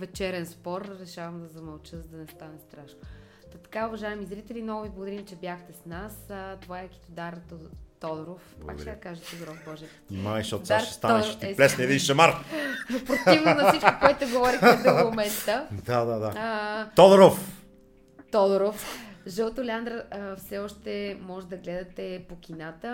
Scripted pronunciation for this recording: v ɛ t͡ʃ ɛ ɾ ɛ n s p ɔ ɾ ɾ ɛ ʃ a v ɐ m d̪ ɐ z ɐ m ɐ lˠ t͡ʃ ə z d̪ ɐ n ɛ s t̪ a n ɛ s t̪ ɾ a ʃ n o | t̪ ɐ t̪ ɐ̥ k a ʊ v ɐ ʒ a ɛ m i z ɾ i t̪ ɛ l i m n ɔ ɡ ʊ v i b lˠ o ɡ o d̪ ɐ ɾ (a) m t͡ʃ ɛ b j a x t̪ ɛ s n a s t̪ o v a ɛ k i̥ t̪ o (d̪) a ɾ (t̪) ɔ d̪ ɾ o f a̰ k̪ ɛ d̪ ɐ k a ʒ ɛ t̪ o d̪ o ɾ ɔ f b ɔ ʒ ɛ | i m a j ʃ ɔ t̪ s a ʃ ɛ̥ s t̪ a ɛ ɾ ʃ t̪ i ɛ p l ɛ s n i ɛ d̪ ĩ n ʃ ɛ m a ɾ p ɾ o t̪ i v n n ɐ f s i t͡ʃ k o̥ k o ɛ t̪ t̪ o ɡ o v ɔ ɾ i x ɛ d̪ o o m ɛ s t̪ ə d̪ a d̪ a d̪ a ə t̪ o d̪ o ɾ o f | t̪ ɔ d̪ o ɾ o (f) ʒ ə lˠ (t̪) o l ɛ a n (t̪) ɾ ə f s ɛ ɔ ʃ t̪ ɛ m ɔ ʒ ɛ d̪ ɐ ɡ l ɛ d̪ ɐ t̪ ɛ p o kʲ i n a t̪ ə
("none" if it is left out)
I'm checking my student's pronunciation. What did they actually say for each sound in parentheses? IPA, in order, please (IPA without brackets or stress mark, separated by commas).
i, d̪, t̪, f, t̪, d̪